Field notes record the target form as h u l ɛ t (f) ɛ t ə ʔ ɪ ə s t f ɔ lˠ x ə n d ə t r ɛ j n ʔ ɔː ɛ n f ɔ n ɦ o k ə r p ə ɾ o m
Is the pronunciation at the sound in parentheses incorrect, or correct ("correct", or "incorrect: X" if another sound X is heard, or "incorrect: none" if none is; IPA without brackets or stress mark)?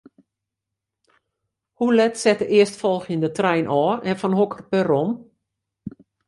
incorrect: s